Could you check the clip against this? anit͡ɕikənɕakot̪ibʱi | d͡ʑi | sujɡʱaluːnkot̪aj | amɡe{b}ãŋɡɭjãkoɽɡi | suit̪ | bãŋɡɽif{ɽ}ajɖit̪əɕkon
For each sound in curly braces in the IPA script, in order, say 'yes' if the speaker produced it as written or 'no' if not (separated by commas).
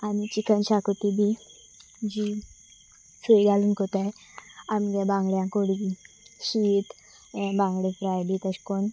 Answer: yes, no